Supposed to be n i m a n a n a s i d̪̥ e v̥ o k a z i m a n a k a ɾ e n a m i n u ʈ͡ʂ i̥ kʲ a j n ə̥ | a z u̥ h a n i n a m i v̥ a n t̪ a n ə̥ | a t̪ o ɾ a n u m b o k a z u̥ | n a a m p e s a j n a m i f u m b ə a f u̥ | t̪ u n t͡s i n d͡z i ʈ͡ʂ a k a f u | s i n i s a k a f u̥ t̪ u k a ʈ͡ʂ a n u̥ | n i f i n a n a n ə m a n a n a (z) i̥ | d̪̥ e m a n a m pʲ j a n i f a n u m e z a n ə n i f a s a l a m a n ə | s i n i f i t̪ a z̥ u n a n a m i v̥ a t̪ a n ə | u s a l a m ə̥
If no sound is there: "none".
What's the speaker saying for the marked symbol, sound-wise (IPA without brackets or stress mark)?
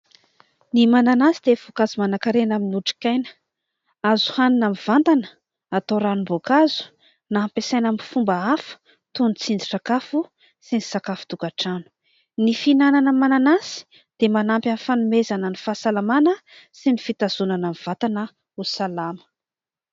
s